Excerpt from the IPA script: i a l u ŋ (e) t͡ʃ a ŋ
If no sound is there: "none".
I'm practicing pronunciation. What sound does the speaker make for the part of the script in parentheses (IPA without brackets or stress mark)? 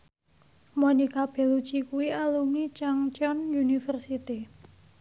i